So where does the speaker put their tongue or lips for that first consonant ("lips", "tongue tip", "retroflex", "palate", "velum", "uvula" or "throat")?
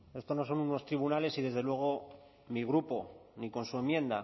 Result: tongue tip